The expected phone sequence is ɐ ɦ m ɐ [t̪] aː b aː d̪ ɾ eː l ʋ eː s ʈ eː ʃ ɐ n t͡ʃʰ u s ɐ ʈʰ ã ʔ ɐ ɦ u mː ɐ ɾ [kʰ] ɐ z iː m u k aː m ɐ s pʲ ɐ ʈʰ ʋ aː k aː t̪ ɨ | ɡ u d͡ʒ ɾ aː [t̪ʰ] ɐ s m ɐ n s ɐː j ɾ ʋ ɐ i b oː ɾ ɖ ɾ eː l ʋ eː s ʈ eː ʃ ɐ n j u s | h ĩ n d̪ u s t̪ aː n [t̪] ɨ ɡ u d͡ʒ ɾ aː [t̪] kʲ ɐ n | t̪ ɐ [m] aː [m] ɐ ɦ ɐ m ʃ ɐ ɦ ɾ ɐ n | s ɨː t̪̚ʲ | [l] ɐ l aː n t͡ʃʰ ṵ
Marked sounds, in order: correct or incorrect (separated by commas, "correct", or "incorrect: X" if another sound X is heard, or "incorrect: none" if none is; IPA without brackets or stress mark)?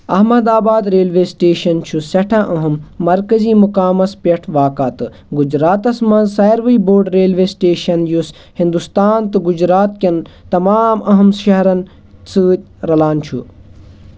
incorrect: d̪, incorrect: k, incorrect: t̪, correct, correct, correct, correct, incorrect: ɾ